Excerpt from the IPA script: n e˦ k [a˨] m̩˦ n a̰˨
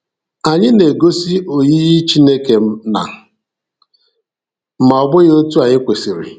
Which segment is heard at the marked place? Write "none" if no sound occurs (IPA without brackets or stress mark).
e˨